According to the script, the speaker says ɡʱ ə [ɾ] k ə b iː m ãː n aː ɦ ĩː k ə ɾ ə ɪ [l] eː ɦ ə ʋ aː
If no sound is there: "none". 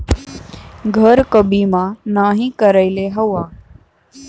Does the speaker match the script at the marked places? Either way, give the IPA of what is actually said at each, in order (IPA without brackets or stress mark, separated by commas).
ɾ, l